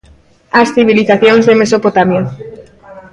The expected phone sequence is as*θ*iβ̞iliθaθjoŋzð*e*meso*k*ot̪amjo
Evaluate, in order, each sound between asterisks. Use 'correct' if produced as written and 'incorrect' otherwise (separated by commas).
correct, correct, incorrect